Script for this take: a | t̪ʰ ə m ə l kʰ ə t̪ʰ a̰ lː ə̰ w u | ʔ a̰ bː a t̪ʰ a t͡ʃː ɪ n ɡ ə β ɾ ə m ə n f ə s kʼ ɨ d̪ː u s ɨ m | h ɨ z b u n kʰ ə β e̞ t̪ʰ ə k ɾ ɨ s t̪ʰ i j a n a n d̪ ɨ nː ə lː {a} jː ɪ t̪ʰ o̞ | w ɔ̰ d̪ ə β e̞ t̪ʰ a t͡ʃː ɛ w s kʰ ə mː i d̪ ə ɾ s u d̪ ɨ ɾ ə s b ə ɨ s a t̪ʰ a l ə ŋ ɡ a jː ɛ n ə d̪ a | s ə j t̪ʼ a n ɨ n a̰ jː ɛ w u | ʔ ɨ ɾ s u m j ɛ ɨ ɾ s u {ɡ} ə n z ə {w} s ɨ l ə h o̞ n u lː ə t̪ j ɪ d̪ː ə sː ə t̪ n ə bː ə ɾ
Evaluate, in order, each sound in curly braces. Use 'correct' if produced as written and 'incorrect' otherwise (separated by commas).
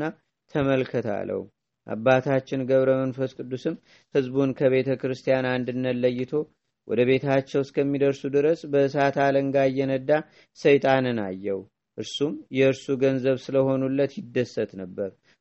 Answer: incorrect, correct, incorrect